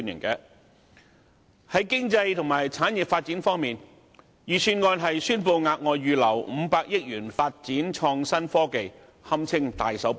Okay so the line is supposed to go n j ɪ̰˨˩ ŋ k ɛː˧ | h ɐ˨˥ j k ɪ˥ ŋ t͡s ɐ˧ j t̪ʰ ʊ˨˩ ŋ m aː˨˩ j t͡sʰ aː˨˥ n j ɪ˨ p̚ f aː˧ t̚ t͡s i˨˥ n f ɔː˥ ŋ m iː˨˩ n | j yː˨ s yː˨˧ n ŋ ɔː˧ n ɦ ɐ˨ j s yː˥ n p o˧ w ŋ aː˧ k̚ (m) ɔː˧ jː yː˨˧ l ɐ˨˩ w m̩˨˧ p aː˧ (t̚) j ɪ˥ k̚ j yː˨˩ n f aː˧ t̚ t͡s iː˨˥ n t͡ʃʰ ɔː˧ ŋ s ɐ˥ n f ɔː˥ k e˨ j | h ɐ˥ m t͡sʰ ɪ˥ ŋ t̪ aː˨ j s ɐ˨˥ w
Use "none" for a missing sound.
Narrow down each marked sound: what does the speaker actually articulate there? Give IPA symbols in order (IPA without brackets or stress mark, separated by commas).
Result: ŋ, k̚